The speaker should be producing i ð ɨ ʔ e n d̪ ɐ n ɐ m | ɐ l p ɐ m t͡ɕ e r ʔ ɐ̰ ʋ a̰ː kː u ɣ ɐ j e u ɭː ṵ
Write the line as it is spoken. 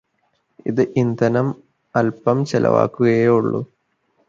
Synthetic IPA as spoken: i ð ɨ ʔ i n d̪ ɐ n ɐ m | ɐ l p ɐ m t͡ɕ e l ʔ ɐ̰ ʋ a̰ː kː u ɣ ɐ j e u ɭː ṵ

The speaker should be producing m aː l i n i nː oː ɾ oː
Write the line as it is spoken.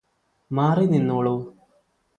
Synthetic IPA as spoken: m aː r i n i nː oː ɭ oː

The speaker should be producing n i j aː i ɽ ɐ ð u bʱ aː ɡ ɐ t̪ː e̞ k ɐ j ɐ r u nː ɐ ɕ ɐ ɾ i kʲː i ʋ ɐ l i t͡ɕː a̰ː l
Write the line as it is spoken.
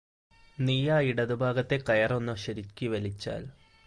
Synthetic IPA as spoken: n i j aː i ɽ ɐ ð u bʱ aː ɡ ɐ t̪ː e̞ k ɐ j ɐ r o nː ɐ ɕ ɐ ɾ i kʲː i ʋ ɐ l i t͡ɕː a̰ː l

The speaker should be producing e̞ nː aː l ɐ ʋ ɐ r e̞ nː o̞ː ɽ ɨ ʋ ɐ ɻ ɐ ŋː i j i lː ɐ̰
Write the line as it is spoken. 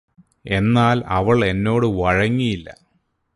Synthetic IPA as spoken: e̞ nː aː l ɐ ʋ ɐ ɭ e̞ nː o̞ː ɽ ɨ ʋ ɐ ɻ ɐ ŋː i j i lː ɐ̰

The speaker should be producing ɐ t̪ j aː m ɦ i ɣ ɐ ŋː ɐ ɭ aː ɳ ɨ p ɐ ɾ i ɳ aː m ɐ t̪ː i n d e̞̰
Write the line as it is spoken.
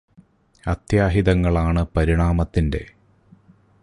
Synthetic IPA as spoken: ɐ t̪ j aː ɦ i ð ɐ ŋː ɐ ɭ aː ɳ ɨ p ɐ ɾ i ɳ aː m ɐ t̪ː i n d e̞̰

